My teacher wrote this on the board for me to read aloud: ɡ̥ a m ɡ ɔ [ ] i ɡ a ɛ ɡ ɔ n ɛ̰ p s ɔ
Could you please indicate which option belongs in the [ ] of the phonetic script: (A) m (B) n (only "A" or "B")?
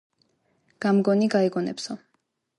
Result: B